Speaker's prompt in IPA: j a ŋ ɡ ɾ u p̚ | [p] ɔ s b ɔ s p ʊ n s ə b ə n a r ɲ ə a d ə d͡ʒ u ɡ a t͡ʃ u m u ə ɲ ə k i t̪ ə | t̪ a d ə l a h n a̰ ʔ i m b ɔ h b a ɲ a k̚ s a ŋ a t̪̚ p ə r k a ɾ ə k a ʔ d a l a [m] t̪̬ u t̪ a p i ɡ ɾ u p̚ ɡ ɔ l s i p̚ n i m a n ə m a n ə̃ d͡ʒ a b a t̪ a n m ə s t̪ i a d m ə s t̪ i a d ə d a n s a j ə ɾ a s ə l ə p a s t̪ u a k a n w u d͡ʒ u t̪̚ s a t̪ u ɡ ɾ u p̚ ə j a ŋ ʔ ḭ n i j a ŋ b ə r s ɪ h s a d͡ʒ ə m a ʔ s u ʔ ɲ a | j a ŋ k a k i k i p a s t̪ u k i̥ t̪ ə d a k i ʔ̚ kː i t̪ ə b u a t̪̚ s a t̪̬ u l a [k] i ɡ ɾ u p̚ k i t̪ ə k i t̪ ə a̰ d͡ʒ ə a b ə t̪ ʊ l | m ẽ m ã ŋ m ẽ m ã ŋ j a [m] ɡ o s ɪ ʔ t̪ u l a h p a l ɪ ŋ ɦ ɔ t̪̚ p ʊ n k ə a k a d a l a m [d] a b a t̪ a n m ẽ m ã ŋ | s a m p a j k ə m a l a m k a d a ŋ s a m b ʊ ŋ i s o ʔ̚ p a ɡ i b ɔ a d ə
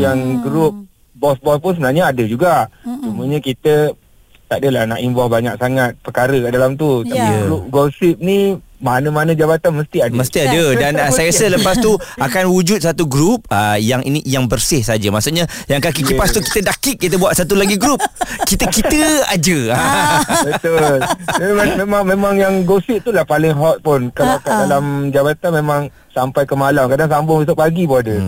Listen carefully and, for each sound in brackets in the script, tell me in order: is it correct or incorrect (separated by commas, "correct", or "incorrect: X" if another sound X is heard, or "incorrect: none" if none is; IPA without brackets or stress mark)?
incorrect: b, correct, incorrect: ɡ, incorrect: ŋ, incorrect: d͡ʒ